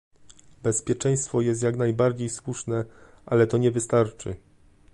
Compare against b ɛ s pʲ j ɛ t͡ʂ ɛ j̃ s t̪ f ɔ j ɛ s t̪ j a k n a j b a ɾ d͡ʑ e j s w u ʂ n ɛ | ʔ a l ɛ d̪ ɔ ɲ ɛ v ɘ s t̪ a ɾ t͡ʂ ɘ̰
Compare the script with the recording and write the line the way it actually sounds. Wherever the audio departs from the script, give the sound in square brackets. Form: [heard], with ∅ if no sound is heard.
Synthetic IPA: b ɛ s pʲ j ɛ t͡ʂ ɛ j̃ s t̪ f ɔ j ɛ s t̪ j a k n a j b a ɾ d͡ʑ e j s w u ʂ n ɛ | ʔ a l ɛ [t̪] ɔ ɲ ɛ v ɘ s t̪ a ɾ t͡ʂ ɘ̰